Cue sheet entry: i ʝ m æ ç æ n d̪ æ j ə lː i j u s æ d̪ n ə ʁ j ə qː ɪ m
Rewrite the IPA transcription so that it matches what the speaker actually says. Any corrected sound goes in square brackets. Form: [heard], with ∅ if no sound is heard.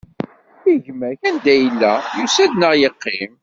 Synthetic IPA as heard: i ʝ m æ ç æ n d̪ æ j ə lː [æ] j u s æ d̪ n ə ʁ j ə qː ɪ m